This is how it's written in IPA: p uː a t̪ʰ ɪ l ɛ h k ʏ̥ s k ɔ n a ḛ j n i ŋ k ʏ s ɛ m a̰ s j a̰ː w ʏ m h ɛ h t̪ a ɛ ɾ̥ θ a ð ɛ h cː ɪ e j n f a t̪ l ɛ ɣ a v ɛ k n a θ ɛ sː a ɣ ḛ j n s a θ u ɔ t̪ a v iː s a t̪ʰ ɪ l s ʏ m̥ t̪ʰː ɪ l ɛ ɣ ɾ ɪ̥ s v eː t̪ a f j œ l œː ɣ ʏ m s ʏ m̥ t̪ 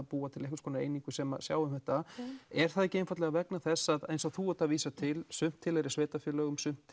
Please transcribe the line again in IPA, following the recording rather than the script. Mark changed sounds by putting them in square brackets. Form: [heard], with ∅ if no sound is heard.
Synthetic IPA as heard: p uː a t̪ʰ ɪ l ɛ h k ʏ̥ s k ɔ n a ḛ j n i ŋ k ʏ s ɛ m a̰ s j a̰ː w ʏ m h ɛ h t̪ a ɛ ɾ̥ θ a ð ɛ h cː ɪ e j n f a t̪ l ɛ ɣ a v ɛ k n a θ ɛ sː a [ð] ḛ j n s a θ u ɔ t̪ a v iː s a t̪ʰ ɪ l s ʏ m̥ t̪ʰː ɪ l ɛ [∅] ɾ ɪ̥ s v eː t̪ a f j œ l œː ɣ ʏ m s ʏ m̥ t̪